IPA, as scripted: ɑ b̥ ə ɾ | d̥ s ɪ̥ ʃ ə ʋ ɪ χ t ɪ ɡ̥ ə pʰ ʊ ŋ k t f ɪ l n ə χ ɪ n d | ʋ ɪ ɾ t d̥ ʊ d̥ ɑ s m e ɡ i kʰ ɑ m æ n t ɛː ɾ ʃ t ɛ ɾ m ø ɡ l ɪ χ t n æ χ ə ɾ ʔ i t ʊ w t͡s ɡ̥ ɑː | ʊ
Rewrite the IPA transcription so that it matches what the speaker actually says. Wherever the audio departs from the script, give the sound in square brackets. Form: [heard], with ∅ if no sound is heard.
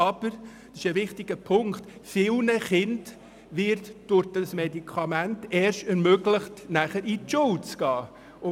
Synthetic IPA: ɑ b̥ ə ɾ | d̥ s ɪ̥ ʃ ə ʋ ɪ χ t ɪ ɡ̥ ə pʰ ʊ ŋ k t f ɪ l n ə χ ɪ n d | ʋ ɪ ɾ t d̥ ʊ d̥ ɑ s m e [d] i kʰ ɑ m æ n t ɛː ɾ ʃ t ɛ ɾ m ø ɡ l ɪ χ t n æ χ ə ɾ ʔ i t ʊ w t͡s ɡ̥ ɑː | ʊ